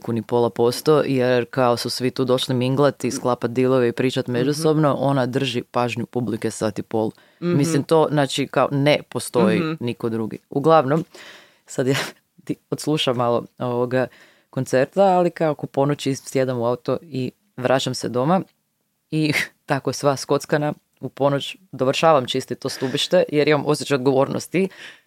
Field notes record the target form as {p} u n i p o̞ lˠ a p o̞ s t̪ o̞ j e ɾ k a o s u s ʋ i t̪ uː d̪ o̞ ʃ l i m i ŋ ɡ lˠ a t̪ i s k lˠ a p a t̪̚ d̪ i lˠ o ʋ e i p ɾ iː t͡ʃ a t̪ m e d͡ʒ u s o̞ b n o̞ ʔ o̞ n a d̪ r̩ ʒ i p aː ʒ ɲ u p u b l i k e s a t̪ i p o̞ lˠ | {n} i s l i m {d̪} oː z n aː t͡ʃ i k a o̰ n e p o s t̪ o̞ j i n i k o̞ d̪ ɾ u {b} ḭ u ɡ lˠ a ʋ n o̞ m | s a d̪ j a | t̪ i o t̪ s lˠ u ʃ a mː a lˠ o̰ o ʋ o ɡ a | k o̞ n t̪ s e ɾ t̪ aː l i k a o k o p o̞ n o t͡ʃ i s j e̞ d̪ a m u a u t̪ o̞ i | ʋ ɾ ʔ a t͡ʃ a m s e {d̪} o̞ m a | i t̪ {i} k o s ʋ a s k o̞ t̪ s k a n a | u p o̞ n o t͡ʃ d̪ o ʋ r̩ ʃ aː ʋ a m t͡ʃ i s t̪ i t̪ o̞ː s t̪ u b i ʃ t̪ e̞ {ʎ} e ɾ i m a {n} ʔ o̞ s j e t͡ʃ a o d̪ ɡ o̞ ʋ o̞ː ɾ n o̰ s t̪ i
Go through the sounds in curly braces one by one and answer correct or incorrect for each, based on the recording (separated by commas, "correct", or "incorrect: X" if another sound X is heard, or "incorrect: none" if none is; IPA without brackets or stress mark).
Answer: incorrect: k, incorrect: m, incorrect: t̪, incorrect: ɡ, correct, incorrect: a, incorrect: j, incorrect: m